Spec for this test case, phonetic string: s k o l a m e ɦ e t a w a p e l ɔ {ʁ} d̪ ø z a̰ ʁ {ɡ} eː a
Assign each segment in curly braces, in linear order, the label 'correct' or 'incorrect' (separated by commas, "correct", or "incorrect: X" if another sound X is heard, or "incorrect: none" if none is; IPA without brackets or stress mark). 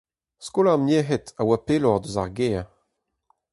correct, correct